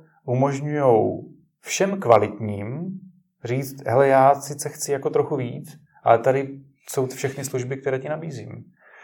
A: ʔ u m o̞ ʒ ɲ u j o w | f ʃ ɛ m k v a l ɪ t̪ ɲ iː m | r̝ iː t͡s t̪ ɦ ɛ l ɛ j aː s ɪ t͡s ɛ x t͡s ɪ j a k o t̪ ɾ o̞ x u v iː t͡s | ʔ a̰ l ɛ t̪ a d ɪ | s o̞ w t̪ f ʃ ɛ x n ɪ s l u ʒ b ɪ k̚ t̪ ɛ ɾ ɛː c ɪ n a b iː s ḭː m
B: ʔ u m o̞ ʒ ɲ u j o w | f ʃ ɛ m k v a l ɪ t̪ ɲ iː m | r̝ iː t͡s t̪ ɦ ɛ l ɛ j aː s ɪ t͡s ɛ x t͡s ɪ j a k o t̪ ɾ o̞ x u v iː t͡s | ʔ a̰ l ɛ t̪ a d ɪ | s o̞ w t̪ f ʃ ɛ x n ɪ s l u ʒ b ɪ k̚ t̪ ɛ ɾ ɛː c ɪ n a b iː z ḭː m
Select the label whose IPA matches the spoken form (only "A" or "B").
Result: B